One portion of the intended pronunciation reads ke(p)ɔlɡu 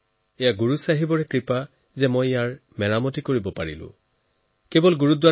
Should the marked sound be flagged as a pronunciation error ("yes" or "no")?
yes